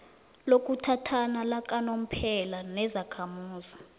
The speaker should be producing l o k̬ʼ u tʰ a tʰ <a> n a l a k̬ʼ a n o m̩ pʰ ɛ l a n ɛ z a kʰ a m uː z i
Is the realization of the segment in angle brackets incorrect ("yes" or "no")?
no